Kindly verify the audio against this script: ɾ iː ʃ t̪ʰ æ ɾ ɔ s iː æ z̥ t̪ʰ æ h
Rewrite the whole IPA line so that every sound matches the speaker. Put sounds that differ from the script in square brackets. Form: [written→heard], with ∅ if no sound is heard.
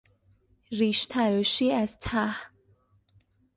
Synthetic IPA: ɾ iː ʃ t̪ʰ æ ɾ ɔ [s→ʃ] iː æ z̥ t̪ʰ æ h